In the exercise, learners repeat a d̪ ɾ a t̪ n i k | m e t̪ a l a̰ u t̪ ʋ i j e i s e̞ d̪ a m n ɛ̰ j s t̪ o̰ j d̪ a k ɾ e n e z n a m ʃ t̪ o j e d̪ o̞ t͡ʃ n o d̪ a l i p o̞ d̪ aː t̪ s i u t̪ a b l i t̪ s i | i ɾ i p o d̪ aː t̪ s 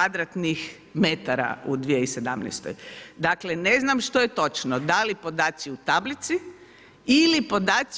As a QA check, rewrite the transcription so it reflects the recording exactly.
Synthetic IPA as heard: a d̪ ɾ a t̪ n i x | m e t̪ a ɾ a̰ u d̪ ʋ i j e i s e̞ d̪ a m n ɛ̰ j s t̪ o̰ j d̪ a k l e n e z n a m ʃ t̪ o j e t̪ o̞ t͡ʃ n o d̪ a l i p o̞ d̪ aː t̪ s i u t̪ a b l i t̪ s i | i l i p o d̪ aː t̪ s

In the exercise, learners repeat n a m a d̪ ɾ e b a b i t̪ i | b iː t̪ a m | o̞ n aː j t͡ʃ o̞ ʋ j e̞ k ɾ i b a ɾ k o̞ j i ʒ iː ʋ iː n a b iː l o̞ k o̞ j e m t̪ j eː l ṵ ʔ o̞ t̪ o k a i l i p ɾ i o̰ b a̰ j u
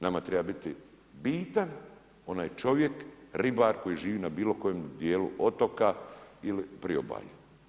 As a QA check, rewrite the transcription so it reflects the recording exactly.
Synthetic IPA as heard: n a m a t̪ ɾ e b a b i t̪ i | b iː t̪ a n | o̞ n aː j t͡ʃ o̞ ʋ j e̞ k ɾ i b a ɾ k o̞ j i ʒ iː ʋ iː n a b iː l o̞ k o̞ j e m d̪ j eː l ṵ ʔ o̞ t̪ o k a i l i p ɾ i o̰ b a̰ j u

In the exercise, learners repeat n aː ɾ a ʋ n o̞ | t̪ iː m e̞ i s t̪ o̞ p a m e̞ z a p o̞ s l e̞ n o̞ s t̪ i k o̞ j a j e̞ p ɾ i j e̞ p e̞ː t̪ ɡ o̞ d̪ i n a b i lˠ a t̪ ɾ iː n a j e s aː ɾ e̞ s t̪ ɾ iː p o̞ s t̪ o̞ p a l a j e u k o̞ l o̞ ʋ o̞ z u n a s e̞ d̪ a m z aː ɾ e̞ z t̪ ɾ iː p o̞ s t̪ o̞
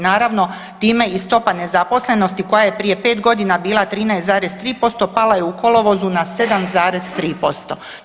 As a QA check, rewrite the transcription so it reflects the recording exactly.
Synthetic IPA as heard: n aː ɾ a ʋ n o̞ | t̪ iː m e̞ i s t̪ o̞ p a n e̞ z a p o̞ s l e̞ n o̞ s t̪ i k o̞ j a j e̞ p ɾ i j e̞ p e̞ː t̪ ɡ o̞ d̪ i n a b iː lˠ a t̪ ɾ iː n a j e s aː ɾ e̞ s t̪ ɾ iː p o̞ s t̪ o̞ p a l a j e u k o̞ l o̞ ʋ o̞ z u n a s e̞ d̪ a m z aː ɾ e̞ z t̪ ɾ iː p o̞ s t̪ o̞

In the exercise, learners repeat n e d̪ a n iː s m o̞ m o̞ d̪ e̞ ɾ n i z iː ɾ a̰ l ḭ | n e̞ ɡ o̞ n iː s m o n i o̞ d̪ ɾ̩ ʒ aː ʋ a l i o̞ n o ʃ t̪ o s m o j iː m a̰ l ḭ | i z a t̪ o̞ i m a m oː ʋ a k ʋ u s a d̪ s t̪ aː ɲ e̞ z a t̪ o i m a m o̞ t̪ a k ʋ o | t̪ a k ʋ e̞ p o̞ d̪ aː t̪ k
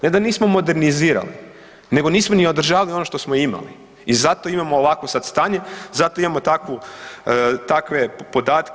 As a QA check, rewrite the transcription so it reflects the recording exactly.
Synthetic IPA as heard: n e d̪ a n iː s m o̞ m o̞ d̪ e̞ ɾ n i z iː ɾ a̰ l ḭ | n e̞ ɡ o̞ n iː s m o n i o̞ d̪ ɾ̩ ʒ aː ʋ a l i o̞ n o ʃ t̪ o s m o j i m a̰ l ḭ | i z a t̪ o̞ i m a m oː ʋ a k ʋ o s a d̪ s t̪ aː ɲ e̞ z a t̪ o i m a m o̞ t̪ a k ʋ u | t̪ a k ʋ e̞ p o̞ d̪ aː t̪ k

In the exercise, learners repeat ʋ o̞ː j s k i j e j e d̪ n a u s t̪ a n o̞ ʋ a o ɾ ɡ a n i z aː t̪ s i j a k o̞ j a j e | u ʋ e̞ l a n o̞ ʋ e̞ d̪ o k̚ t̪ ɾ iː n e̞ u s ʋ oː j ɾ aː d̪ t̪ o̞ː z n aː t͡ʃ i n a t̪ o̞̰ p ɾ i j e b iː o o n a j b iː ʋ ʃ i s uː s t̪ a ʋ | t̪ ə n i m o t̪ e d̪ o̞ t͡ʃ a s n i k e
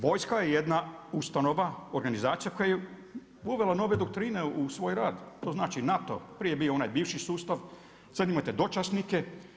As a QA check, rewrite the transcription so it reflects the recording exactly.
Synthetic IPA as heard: ʋ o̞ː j s k a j e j e d̪ n a u s t̪ a n o̞ ʋ a o ɾ ɡ a n i z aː t̪ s i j a k o̞ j a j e | u ʋ e̞ l a n o̞ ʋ e̞ d̪ o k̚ t̪ ɾ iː n e̞ u s ʋ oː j ɾ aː d̪ t̪ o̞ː z n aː t͡ʃ i n a t̪ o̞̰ p ɾ i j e b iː o o n a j b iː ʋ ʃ i s uː s t̪ a ʋ | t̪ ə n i m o t̪ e d̪ o̞ t͡ʃ a s n i k e

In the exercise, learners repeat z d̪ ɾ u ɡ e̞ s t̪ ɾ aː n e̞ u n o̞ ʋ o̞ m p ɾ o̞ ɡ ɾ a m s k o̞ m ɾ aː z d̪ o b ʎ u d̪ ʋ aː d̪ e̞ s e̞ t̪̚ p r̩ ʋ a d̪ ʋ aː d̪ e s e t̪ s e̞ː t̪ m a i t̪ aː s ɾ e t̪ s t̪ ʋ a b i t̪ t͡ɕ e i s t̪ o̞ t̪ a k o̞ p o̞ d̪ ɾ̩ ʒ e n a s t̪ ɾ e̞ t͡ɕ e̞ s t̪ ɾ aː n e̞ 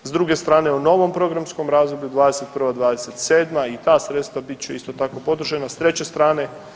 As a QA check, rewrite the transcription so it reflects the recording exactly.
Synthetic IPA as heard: z d̪ ɾ u ɡ e̞ s t̪ ɾ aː n e̞ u n o̞ ʋ o̞ m p ɾ o̞ ɡ ɾ a m s k o̞ m ɾ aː z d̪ o b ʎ u d̪ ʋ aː d̪ e̞ s e̞ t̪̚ p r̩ ʋ a d̪ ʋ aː d̪ e s e t̪ s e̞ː d̪ m a i t̪ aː s ɾ e t̪ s t̪ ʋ a b i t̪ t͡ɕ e i s t̪ o̞ t̪ a k o̞ p o̞ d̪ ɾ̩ ʒ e n a s t̪ ɾ e̞ t͡ɕ e̞ s t̪ ɾ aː n e̞

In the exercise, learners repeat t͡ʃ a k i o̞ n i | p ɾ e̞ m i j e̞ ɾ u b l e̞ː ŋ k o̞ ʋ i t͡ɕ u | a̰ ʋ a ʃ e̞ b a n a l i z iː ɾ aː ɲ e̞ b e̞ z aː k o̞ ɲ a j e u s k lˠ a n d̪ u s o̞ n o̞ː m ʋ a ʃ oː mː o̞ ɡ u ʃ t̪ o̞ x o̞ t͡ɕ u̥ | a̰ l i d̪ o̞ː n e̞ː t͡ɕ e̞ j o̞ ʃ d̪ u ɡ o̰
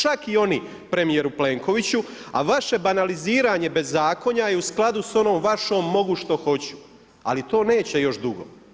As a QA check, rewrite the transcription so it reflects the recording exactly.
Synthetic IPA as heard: t͡ʃ a k i o̞ n i | p ɾ e̞ m i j e̞ ɾ u p l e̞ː ŋ k o̞ ʋ i t͡ɕ u | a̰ ʋ a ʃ e̞ b a n a l i z iː ɾ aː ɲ e̞ b e̞ zː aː k o̞ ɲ a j e u s k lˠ a d̪ u s o̞ n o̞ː m ʋ a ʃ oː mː o̞ ɡ u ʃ t̪ o̞ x o̞ t͡ɕ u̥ | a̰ l i t̪ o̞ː n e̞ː t͡ɕ e̞ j o̞ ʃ d̪ u ɡ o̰

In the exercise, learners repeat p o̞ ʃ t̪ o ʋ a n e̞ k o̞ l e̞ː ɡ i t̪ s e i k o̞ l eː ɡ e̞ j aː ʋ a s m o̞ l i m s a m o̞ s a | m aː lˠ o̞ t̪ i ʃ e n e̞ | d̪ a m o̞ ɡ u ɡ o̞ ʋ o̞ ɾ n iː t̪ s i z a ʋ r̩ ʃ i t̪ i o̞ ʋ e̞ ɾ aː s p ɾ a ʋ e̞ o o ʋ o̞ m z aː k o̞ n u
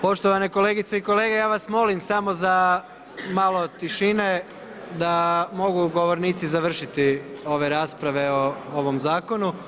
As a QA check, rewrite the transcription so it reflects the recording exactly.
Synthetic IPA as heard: p o̞ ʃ t̪ o ʋ a n e̞ k o̞ l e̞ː ɡ i t̪ s e i k o̞ l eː ɡ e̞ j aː ʋ a s m o̞ l i m s a m o̞ z a | m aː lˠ o̞ t̪ i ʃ i n e̞ | d̪ a m o̞ ɡ u ɡ o̞ ʋ o̞ ɾ n iː t̪ s i z a ʋ r̩ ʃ i t̪ i o̞ ʋ e̞ ɾ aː s p ɾ a ʋ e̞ o o ʋ o̞ m z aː k o̞ n u

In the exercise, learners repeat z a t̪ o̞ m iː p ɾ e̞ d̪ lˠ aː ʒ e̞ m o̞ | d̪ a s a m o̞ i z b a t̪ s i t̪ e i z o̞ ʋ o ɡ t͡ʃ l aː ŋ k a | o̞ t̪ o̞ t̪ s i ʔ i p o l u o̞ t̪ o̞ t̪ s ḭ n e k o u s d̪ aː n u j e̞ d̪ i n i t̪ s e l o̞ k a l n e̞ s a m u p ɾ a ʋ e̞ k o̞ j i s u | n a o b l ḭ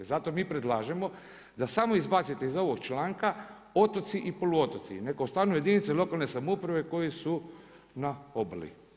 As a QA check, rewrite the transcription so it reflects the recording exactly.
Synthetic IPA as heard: z a t̪ o̞ m iː p ɾ e̞ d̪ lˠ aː ʒ e̞ m o̞ | d̪ a s a m o̞ i z b a t̪ s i t̪ e i z o̞ ʋ o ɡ t͡ʃ l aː ŋ k a | o̞ t̪ o̞ t̪ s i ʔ i p o l u o̞ t̪ o̞ t̪ s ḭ n e k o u s t̪ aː n u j e̞ d̪ i n i t̪ s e l o̞ k a l n e̞ s a m u p ɾ a ʋ e̞ k o̞ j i s u | n a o b l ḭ

